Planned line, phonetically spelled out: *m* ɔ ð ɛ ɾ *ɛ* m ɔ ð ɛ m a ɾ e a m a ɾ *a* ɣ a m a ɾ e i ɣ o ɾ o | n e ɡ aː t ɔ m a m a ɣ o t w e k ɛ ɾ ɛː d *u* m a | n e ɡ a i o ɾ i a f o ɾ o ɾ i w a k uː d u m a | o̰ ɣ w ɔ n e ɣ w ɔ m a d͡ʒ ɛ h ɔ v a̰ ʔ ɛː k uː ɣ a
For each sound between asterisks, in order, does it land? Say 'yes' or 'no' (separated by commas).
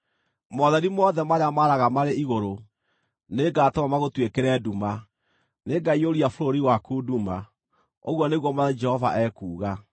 yes, no, yes, yes